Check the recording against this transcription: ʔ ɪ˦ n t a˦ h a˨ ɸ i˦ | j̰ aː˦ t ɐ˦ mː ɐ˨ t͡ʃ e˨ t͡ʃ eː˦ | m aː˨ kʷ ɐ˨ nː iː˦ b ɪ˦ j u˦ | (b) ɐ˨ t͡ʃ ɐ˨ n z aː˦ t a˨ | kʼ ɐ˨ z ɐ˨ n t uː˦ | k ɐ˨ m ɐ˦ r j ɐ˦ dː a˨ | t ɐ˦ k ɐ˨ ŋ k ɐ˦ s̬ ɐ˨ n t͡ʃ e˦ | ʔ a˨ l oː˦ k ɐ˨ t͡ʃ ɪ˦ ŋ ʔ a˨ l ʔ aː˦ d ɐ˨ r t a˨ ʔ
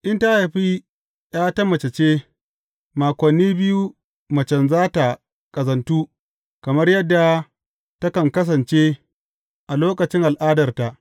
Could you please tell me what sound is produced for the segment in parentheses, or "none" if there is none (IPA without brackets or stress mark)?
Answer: m